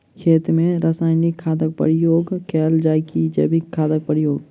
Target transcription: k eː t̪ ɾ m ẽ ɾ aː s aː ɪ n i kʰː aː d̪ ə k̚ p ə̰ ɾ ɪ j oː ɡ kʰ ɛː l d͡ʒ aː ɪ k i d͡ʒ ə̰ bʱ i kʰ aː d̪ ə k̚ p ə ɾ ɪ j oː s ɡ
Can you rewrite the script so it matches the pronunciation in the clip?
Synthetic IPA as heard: kʰ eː t̪ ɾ m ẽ ɾ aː s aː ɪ n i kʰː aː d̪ ə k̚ p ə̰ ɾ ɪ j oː ɡ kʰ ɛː l d͡ʒ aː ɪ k i d͡ʒ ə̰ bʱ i kʰ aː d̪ ə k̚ p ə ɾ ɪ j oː ɡ